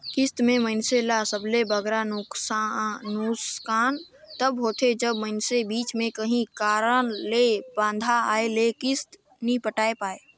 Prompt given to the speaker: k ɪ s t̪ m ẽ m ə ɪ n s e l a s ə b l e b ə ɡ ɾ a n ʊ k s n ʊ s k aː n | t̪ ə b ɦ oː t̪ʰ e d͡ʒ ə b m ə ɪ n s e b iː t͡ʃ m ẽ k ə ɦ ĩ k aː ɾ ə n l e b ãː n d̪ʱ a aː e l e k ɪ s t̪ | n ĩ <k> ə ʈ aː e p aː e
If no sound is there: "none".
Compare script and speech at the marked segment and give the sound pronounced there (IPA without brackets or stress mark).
p